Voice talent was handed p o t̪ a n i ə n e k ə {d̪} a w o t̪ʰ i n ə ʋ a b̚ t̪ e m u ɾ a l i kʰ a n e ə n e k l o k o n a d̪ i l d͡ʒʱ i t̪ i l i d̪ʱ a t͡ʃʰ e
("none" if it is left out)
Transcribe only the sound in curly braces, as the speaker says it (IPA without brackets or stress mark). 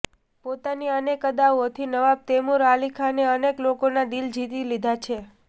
d̪